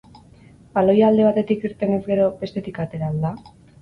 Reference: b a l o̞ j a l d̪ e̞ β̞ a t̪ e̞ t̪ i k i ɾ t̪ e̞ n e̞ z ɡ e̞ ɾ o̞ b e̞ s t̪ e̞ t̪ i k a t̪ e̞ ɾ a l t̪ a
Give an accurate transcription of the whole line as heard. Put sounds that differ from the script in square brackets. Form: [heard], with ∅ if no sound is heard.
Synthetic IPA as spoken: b a l o̞ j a l d̪ e̞ β̞ a t̪ e̞ t̪ i k i ɾ t̪ e̞ n e̞ z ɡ e̞ ɾ o̞ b e̞ s t̪ e̞ t̪ i k a t̪ e̞ ɾ a l [d̪] a